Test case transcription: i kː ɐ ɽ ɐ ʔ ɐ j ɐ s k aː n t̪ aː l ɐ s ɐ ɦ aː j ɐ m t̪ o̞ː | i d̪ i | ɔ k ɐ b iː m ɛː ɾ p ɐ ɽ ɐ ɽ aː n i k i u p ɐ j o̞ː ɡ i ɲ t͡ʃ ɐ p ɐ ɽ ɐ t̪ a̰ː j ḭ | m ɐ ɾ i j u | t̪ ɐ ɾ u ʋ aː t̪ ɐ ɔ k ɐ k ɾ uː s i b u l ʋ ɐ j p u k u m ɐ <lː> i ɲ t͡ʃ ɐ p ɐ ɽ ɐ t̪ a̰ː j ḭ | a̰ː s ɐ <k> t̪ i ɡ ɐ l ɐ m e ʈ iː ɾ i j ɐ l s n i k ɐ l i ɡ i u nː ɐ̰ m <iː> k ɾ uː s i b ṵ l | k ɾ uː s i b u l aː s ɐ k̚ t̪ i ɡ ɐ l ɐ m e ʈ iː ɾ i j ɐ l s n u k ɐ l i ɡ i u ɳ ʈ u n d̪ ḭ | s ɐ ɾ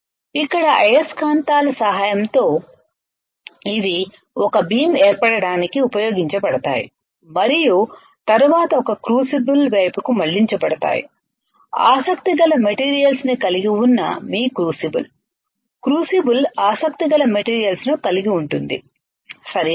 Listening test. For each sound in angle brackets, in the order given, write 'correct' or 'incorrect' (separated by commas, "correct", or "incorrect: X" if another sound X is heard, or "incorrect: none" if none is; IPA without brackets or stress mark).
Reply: incorrect: ɭː, correct, correct